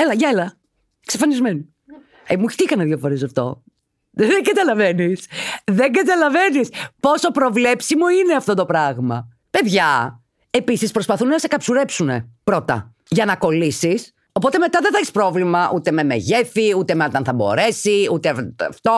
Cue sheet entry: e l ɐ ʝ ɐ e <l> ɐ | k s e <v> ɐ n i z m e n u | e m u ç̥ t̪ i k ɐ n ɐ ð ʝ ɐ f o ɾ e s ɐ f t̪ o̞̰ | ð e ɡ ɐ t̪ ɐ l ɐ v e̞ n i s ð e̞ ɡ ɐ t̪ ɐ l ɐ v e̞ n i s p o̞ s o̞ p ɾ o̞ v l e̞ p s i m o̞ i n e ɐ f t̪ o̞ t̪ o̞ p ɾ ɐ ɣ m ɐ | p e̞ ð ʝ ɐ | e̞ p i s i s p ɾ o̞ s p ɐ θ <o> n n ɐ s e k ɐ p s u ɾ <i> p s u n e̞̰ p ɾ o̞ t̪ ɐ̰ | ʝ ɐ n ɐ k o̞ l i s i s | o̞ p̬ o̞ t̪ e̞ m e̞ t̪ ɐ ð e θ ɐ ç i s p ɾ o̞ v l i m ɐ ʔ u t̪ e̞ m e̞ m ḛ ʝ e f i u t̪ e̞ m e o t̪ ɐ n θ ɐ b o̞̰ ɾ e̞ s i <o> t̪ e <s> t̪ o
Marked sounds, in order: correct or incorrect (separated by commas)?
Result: correct, incorrect, incorrect, incorrect, incorrect, incorrect